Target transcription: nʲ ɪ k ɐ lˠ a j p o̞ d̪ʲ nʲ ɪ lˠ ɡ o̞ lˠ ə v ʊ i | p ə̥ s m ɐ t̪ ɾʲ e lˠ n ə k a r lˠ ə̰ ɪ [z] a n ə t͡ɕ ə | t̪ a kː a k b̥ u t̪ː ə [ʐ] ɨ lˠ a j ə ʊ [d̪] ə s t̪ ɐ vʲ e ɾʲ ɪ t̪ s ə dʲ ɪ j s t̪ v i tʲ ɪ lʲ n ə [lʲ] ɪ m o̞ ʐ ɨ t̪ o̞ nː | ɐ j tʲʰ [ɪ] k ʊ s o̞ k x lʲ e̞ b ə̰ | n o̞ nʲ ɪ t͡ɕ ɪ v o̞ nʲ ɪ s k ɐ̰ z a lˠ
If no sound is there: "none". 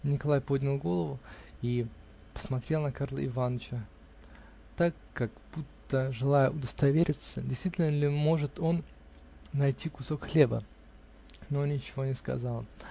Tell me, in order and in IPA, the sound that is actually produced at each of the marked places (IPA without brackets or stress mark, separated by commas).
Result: v, ʐ, d̪, lʲ, i